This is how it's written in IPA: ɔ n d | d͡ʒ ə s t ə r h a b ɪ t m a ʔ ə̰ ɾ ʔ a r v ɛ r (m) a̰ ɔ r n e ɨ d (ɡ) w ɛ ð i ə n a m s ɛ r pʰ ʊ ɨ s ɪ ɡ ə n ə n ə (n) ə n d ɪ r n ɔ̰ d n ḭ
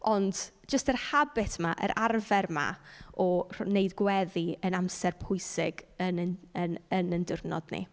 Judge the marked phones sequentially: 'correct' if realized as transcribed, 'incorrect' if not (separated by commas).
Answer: correct, correct, correct